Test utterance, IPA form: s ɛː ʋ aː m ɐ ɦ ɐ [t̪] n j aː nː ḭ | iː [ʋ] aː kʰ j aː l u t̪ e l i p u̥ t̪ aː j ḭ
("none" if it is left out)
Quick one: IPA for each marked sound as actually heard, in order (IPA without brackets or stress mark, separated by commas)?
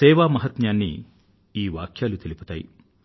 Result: t̪, ʋ